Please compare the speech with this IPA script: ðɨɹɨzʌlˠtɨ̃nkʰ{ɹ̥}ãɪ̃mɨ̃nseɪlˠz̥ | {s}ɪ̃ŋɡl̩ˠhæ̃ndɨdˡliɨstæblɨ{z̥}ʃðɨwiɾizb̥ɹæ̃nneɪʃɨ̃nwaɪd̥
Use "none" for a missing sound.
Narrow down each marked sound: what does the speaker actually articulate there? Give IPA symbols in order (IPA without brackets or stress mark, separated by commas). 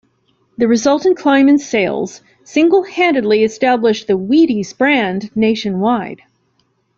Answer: l̥, s, none